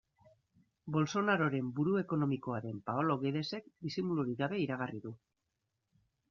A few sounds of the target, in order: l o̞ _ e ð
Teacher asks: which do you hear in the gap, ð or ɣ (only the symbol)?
ɣ